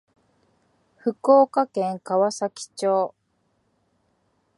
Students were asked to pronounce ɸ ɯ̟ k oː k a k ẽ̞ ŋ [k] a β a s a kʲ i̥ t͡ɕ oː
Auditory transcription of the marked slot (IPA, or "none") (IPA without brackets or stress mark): k